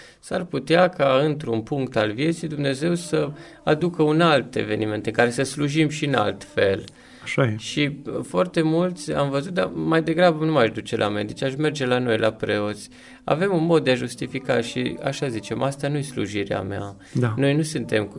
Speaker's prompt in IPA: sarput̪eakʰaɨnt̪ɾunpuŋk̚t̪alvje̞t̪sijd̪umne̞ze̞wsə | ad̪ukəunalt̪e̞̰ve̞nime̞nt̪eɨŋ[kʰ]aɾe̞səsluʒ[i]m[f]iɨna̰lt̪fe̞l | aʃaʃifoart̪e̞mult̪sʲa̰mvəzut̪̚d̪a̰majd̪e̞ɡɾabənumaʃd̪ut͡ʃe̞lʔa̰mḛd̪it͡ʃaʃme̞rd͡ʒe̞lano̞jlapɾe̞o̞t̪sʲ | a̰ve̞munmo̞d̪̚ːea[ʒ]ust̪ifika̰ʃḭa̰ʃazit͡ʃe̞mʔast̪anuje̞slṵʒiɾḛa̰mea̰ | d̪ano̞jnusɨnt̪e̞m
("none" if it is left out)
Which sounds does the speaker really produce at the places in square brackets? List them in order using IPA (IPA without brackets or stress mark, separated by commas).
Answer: k, i, ʃ, ʒ